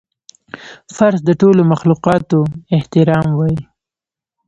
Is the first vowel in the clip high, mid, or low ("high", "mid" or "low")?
low